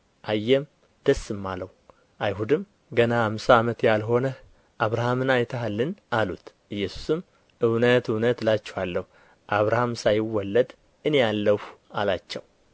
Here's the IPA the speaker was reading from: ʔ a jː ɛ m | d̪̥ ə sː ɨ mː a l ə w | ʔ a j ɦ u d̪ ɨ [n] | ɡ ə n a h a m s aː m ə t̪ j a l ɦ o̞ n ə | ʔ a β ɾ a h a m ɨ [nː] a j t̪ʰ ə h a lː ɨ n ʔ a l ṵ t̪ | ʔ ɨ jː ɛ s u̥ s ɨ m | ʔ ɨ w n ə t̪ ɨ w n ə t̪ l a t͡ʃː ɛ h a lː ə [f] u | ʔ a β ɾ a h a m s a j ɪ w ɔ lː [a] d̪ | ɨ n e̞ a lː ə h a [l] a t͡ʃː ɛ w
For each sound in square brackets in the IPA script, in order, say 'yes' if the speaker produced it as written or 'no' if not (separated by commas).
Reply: no, no, no, no, yes